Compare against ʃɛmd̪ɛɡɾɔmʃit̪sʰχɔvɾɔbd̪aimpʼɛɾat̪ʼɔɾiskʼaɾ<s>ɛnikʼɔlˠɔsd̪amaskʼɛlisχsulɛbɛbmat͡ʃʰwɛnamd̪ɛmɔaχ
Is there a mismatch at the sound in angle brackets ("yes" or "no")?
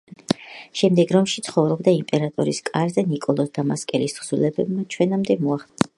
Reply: yes